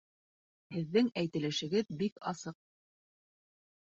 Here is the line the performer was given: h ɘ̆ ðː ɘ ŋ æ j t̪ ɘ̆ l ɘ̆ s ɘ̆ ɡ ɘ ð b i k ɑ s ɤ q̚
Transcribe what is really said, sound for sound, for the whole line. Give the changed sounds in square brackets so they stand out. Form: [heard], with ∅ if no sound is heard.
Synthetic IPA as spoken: h ɘ̆ ðː ɘ ŋ æ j t̪ ɘ̆ l ɘ̆ [ʃ] ɘ̆ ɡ ɘ ð b i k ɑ s ɤ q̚